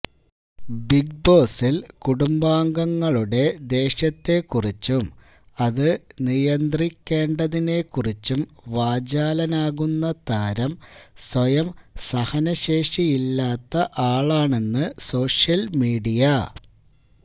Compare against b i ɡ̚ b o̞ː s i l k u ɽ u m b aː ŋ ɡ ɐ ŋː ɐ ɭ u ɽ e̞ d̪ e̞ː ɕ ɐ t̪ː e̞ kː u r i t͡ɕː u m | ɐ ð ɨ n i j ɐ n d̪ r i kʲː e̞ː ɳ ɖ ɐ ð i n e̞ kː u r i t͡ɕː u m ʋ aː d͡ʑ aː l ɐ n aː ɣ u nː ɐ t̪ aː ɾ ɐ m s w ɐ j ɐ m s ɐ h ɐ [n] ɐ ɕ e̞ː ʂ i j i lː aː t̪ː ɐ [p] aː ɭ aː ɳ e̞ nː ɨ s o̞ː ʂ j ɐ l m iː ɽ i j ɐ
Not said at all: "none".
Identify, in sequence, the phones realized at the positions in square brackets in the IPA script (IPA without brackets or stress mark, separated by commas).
n, ʔ